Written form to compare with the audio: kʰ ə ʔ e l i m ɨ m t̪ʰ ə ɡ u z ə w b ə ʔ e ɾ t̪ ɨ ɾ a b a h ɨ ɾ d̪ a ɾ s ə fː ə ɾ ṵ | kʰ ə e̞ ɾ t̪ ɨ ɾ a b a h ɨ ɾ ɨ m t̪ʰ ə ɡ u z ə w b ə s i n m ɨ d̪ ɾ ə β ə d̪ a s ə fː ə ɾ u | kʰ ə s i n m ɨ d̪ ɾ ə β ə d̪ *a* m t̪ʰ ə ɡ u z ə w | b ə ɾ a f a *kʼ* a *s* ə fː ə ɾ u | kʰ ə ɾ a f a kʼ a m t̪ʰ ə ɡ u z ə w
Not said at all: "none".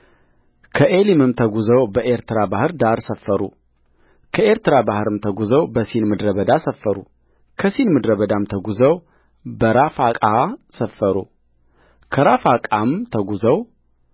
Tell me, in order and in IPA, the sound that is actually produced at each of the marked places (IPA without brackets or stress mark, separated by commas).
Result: a, kʼ, s